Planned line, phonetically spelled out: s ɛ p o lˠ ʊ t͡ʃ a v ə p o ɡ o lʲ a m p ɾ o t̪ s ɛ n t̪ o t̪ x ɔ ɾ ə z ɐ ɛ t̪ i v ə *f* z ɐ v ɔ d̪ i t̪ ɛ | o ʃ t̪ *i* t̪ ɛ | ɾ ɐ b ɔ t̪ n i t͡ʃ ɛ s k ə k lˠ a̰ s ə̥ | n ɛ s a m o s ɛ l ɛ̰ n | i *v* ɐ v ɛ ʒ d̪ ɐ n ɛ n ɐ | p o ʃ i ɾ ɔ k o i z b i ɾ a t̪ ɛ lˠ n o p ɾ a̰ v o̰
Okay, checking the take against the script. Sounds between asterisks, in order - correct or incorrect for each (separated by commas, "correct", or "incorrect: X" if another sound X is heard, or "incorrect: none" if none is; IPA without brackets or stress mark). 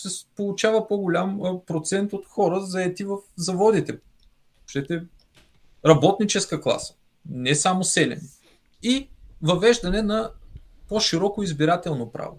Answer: correct, incorrect: ɛ, correct